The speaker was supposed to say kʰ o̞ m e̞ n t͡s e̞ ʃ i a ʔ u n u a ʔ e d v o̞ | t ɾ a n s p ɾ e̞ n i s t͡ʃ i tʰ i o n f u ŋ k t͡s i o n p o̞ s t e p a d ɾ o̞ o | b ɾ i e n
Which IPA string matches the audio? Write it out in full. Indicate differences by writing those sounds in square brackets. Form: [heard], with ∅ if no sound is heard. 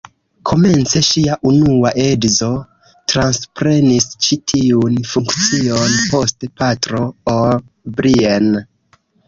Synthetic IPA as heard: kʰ o̞ m e̞ n t͡s e̞ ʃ i a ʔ u n u a ʔ e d [z] o̞ | t ɾ a n s p ɾ e̞ n i s t͡ʃ i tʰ i [u] n f u ŋ k t͡s i o n p o̞ s t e p a [t] ɾ o̞ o | b ɾ i e n